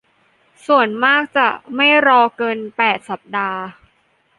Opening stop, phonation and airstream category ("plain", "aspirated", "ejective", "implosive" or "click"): plain